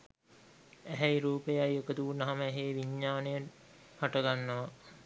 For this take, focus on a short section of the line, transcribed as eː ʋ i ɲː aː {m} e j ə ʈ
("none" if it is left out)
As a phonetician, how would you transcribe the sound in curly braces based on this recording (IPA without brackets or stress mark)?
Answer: n